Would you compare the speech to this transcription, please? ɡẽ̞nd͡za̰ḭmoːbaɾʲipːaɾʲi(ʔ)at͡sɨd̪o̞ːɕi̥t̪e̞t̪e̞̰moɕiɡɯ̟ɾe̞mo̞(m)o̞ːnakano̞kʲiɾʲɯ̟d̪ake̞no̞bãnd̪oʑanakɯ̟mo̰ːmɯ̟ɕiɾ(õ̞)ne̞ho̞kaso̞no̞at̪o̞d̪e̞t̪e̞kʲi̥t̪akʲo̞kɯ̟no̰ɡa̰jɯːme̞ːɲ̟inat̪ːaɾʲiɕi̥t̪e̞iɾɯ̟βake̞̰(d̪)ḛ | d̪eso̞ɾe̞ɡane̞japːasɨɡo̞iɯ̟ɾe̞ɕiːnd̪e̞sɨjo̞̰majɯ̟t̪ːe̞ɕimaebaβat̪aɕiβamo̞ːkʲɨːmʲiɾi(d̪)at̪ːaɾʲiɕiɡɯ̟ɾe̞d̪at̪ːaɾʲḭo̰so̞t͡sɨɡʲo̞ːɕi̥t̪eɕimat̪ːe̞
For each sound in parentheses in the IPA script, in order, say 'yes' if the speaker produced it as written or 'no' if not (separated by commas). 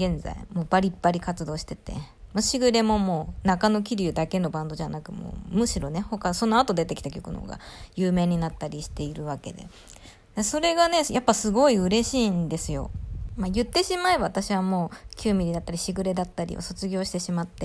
no, yes, no, yes, yes